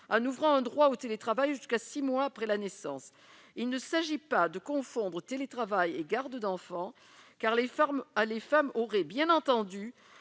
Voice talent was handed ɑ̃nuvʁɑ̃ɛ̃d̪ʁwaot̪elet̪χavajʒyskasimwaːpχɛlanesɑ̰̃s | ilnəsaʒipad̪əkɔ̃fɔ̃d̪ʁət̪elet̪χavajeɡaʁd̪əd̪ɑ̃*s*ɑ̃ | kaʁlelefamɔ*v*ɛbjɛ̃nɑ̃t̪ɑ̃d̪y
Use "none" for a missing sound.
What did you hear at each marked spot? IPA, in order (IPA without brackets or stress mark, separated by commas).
f, ʁ